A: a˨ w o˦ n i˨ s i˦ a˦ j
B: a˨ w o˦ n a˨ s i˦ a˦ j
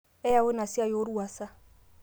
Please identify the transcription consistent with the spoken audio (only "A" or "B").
B